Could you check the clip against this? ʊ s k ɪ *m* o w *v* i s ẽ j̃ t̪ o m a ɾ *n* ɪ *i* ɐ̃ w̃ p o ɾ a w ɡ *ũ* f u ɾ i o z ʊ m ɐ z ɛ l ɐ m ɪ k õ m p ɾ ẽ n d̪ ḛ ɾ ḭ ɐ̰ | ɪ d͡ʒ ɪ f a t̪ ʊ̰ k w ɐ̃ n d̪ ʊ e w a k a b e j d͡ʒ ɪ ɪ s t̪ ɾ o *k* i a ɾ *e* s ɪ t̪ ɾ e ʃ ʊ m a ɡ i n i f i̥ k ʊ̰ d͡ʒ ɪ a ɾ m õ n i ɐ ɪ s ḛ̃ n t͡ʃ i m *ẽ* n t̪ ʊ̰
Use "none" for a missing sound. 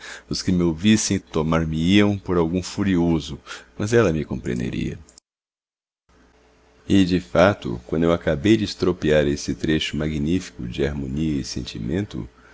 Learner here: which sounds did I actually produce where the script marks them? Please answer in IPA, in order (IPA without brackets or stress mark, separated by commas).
m, v, m, i, ũ, p, e, ẽ